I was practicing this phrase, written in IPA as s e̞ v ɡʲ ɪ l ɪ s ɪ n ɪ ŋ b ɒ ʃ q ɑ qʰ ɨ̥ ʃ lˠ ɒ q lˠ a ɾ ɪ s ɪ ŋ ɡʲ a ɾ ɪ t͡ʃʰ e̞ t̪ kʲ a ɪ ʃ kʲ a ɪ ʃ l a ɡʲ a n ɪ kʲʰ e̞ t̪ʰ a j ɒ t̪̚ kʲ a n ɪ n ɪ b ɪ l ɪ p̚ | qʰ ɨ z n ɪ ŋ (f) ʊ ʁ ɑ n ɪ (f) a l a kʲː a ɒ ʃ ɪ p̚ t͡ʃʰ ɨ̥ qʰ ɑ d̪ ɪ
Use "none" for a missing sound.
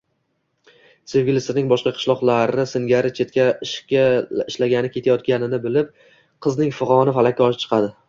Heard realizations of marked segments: f, f

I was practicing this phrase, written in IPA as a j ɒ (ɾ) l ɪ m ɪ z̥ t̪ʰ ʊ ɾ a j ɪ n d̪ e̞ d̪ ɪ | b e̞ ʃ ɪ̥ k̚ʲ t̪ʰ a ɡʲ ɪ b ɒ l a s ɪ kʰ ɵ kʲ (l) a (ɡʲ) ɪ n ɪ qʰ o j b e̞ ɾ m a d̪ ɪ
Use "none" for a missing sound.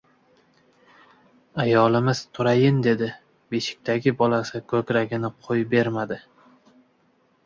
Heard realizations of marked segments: none, ɾ, ɡʲ

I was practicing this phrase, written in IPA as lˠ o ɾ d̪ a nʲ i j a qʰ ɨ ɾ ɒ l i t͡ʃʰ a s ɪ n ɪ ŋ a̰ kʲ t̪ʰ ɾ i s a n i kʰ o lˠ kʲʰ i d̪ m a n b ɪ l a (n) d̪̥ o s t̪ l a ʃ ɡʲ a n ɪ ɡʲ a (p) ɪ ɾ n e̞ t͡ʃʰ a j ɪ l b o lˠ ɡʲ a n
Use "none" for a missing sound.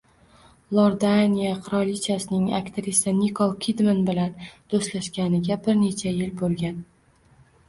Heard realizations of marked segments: n, b

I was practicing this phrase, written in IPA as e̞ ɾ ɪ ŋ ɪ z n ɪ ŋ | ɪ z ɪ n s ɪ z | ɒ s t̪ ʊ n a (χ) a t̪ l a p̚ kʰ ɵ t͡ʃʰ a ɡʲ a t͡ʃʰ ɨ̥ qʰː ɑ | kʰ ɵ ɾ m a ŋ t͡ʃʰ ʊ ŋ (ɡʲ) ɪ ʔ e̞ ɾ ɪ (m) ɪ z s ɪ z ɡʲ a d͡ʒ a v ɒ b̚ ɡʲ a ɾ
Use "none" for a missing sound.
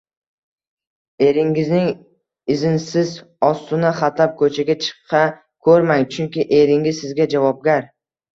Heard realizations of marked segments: χ, kʲ, ŋ

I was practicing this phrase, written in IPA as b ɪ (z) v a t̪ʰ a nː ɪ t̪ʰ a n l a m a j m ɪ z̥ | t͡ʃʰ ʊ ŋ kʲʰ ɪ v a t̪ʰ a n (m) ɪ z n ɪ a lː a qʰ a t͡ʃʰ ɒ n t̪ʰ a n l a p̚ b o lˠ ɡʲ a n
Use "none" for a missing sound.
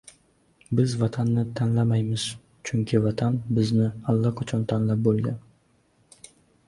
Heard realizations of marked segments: z, b

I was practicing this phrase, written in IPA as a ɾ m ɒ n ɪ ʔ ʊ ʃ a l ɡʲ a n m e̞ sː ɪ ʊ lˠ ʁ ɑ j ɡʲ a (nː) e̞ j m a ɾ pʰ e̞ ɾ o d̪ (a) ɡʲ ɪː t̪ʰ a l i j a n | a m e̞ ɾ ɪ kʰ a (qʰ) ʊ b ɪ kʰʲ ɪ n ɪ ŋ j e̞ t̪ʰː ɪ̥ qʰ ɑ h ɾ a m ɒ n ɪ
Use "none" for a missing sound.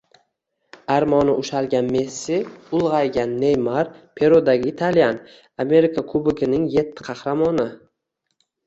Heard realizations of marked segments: nː, a, kʰ

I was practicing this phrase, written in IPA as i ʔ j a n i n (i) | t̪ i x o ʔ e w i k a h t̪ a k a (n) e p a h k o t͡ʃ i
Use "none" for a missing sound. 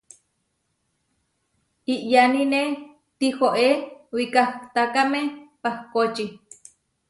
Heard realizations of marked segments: e, m

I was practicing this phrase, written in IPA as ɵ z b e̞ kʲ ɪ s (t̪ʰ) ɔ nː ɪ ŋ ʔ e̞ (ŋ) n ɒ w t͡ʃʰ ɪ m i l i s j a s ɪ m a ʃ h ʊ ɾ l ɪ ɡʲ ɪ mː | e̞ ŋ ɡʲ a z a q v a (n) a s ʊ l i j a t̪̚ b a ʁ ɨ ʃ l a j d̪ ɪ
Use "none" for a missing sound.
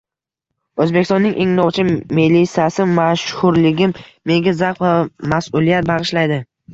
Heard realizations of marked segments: t̪, ŋ, m

